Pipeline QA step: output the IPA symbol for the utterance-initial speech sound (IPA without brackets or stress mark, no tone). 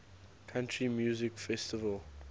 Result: kʰ